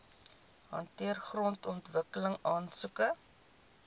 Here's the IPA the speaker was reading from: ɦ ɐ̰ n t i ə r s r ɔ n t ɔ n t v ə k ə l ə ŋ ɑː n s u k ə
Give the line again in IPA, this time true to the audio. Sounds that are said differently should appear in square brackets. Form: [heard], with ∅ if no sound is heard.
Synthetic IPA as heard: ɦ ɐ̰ n t i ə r [χ] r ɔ n t ɔ n t v ə k ə l ə ŋ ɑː n s u k ə